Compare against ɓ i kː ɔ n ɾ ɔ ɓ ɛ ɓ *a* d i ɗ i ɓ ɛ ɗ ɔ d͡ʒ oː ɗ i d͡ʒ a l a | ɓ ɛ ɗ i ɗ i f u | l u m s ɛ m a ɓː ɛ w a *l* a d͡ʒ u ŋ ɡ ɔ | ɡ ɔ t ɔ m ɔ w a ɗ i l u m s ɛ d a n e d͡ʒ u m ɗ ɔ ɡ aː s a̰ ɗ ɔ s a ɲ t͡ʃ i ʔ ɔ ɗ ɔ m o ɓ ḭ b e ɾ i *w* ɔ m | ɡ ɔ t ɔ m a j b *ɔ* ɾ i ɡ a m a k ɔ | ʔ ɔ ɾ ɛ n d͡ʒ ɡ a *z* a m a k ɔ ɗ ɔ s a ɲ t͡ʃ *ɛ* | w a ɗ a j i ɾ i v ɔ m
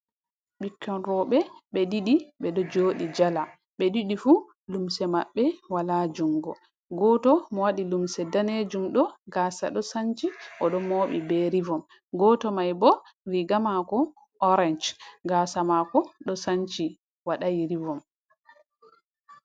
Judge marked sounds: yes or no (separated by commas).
no, yes, no, yes, no, no